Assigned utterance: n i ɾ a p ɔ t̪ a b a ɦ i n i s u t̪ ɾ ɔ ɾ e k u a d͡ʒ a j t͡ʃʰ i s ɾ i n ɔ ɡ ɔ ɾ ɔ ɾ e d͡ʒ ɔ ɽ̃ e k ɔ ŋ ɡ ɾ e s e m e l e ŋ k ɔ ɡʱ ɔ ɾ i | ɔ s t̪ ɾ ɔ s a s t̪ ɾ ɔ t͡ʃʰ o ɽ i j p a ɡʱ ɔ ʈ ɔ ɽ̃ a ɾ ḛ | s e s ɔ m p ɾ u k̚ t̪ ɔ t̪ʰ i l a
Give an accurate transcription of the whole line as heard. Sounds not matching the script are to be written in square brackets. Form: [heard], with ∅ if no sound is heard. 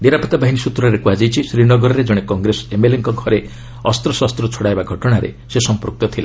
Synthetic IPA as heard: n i ɾ a p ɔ t̪ a b a ɦ i n i s u t̪ ɾ ɔ ɾ e k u a d͡ʒ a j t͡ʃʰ i s ɾ i n ɔ ɡ ɔ ɾ ɔ ɾ e d͡ʒ ɔ ɽ̃ e k ɔ ŋ ɡ ɾ e s e m e l e ŋ k ɔ ɡʱ ɔ ɾ [e] | ɔ s t̪ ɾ ɔ s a s t̪ ɾ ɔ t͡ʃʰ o ɽ [a] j [b] a ɡʱ ɔ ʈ ɔ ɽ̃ a ɾ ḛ | s e s ɔ m p ɾ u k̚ t̪ ɔ t̪ʰ i l a

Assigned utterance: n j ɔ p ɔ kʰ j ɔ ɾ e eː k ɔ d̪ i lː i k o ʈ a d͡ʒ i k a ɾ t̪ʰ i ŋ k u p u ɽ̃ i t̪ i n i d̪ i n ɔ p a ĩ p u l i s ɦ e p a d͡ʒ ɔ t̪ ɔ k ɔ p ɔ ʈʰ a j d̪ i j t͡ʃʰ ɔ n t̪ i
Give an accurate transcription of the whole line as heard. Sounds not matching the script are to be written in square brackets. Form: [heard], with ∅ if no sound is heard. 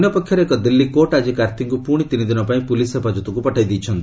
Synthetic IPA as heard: n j ɔ p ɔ kʰ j ɔ ɾ e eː k ɔ d̪ i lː i k o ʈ a d͡ʒ i k a ɾ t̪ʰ i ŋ k u p u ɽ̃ i t̪ i n i d̪ i n ɔ p a ĩ p u l i s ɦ e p a d͡ʒ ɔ t̪ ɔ k [u] p ɔ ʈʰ a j d̪ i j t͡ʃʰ ɔ n t̪ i

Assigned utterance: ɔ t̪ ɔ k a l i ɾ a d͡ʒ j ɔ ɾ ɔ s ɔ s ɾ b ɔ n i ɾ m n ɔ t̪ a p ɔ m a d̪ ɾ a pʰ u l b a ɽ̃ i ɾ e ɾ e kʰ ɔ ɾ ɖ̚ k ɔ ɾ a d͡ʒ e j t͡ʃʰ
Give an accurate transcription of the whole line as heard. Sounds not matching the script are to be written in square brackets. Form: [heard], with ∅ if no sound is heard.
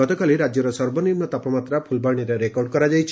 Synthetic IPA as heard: ɔ t̪ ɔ k a l i ɾ a d͡ʒ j ɔ ɾ ɔ s ɔ [∅] ɾ b ɔ n i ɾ m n ɔ t̪ a p ɔ m a [t̪] ɾ a pʰ u l b a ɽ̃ i ɾ e ɾ e [k] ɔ ɾ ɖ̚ k ɔ ɾ a d͡ʒ [a] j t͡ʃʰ

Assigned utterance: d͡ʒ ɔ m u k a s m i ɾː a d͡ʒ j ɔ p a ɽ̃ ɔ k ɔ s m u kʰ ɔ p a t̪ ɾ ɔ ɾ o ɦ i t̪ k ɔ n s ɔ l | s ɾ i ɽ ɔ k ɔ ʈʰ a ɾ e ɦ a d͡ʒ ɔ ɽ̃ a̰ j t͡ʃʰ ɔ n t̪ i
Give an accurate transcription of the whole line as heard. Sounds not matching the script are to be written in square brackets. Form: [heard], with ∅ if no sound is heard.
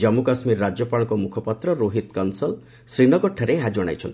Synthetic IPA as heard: d͡ʒ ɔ m u k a s m i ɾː a d͡ʒ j ɔ p a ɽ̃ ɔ k ɔ [∅] m u kʰ ɔ p a t̪ ɾ ɔ ɾ o ɦ i t̪ k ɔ n s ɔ l | s ɾ i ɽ ɔ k ɔ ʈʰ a ɾ e ɦ a d͡ʒ ɔ ɽ̃ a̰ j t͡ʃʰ ɔ n t̪ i

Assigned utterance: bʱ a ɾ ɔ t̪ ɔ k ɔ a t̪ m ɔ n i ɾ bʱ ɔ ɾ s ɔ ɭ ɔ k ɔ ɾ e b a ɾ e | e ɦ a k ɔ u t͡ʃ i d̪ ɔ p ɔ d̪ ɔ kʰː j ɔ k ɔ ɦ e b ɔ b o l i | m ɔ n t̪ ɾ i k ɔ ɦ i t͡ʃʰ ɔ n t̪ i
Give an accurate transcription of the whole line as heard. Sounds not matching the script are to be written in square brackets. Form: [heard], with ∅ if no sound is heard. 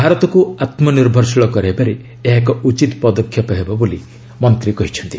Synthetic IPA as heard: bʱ a ɾ ɔ t̪ ɔ k [u] a t̪ m ɔ n i ɾ bʱ ɔ ɾ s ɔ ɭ ɔ k ɔ ɾ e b a ɾ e | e ɦ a k ɔ u t͡ʃ i [t̪] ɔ p ɔ d̪ ɔ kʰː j ɔ [p] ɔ ɦ e b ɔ b o l i | m ɔ n t̪ ɾ i k ɔ ɦ i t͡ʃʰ ɔ n t̪ i

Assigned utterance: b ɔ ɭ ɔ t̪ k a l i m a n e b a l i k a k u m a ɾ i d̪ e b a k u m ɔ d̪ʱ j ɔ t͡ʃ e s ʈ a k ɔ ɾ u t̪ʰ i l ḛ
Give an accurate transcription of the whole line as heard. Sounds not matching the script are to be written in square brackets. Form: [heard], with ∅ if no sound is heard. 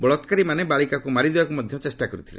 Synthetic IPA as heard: b ɔ ɭ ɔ t̪ k a [ɾ] i m a n e b a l i k a k u m a ɾ i d̪ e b a k u m ɔ d̪ʱ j ɔ t͡ʃ e s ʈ a k ɔ ɾ u t̪ʰ i l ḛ

